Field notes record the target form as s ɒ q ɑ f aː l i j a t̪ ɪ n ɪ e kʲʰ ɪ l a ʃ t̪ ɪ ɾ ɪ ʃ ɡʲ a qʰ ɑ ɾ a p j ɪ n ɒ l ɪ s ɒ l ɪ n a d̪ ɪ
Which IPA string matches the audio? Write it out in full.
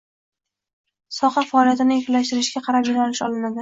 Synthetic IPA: s ɒ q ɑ f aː l i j a t̪ ɪ n ɪ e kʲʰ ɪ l a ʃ t̪ ɪ ɾ ɪ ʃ ɡʲ a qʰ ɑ ɾ a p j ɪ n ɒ l ɪ ʃ ɒ l ɪ n a d̪ ɪ

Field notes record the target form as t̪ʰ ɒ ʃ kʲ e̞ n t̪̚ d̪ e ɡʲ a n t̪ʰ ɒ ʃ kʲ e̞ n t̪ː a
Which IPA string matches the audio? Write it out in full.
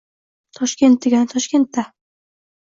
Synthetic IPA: t̪ʰ ɒ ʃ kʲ e̞ n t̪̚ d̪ e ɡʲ a n t̪ʰ ɒ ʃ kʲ e̞ n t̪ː a

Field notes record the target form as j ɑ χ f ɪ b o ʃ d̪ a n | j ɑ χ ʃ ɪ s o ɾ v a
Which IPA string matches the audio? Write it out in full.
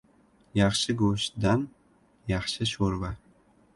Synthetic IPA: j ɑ χ ʃ ɪ ɡ o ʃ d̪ a n | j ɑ χ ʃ ɪ ʃ o ɾ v a

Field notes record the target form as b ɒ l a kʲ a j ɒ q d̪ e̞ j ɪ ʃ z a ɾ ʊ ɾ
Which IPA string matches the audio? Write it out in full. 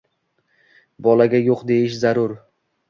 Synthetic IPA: b ɒ l a ɡʲ a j o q d̪ e̞ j ɪ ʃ z a ɾ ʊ ɾ

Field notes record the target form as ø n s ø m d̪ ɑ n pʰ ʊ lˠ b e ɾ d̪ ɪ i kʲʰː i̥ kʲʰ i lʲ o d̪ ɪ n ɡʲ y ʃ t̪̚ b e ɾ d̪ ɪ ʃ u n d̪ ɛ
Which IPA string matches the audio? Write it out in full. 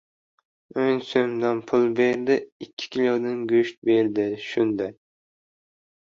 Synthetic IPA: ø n s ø m d̪ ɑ n pʰ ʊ lˠ b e ɾ d̪ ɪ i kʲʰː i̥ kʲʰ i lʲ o d̪ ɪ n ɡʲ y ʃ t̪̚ b e ɾ d̪ ɪ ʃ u n d̪ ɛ

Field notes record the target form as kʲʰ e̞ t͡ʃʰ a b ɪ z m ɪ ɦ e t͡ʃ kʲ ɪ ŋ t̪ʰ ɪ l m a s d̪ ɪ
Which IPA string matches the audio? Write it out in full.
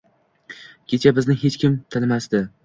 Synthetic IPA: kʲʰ e̞ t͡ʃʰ a b ɪ z n ɪ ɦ e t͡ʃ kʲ ɪ m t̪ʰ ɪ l m a s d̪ ɪ

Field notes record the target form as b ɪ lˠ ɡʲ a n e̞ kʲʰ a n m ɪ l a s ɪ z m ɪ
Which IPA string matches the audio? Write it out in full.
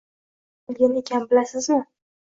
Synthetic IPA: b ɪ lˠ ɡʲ a n e̞ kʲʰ a n b ɪ l a s ɪ z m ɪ

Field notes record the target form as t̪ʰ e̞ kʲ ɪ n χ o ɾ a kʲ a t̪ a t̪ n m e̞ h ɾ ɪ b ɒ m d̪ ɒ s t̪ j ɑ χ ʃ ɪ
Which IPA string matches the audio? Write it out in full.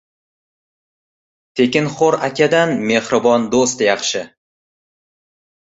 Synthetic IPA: t̪ʰ e̞ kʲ ɪ n χ o ɾ a kʲ a d̪ a n m e̞ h ɾ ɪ b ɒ n d̪ o s t̪ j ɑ χ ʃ ɪ

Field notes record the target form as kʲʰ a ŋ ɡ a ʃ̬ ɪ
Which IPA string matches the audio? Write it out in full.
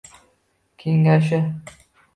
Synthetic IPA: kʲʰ e ŋ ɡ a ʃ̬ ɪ

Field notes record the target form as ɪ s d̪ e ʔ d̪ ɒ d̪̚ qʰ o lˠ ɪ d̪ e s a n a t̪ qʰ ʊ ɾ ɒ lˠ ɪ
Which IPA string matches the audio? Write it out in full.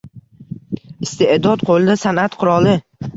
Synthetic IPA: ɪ s t̪ e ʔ d̪ ɒ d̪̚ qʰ o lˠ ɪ d̪ a s a n a t̪ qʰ ʊ ɾ ɒ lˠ ɪ

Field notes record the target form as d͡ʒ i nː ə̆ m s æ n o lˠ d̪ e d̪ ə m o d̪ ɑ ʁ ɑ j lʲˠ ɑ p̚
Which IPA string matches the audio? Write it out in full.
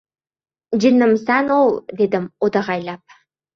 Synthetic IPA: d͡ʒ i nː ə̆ m s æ n o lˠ d̪ e d̪ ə m o d̪ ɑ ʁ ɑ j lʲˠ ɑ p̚

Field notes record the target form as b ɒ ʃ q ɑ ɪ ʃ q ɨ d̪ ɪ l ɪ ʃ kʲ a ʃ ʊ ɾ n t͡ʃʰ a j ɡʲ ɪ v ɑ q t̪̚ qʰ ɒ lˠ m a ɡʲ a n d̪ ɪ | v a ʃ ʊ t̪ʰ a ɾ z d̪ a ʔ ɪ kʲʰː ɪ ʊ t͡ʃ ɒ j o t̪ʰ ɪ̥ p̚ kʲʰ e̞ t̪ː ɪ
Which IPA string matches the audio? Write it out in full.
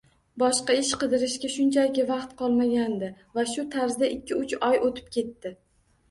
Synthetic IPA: b ɒ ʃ q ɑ ɪ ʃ q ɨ d̪ ɪ ɾ ɪ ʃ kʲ a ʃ ʊ n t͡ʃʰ a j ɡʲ ɪ v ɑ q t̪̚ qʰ ɒ lˠ m a ɡʲ a n d̪ ɪ | v a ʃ ʊ t̪ʰ a ɾ z d̪ a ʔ ɪ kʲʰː ɪ ʊ t͡ʃ ɒ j o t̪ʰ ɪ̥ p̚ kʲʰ e̞ t̪ː ɪ

